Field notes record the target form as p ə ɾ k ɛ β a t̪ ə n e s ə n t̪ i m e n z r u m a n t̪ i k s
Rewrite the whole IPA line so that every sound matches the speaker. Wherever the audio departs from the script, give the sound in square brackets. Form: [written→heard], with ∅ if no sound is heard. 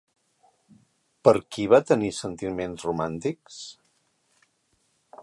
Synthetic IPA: p ə ɾ k [ɛ→i] β a t̪ ə n [e→i] s ə n t̪ i m e n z r u m a n t̪ i k s